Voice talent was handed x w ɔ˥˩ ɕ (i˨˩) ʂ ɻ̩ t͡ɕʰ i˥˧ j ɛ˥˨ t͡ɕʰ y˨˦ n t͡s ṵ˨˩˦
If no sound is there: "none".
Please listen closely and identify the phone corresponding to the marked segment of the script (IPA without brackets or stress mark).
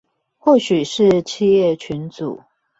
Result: y˨˩